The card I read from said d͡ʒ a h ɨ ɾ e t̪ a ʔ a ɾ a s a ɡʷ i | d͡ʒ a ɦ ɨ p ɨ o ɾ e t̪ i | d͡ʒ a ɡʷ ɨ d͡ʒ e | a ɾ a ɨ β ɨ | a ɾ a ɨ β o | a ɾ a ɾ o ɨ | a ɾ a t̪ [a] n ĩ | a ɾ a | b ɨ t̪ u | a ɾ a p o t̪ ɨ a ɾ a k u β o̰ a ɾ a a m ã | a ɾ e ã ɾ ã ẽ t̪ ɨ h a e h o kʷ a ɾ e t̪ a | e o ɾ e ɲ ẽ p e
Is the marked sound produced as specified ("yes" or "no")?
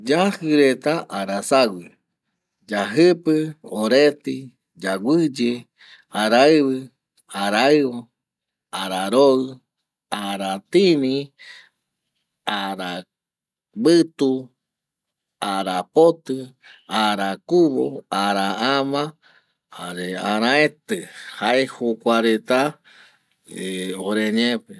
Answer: no